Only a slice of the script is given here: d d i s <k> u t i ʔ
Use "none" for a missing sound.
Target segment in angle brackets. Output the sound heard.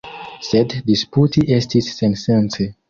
p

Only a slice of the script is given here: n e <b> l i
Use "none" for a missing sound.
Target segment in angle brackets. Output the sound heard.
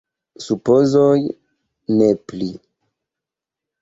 p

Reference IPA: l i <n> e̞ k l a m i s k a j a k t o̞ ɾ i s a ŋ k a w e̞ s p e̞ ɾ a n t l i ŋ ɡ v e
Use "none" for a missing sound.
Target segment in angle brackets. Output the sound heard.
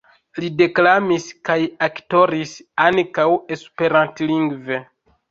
d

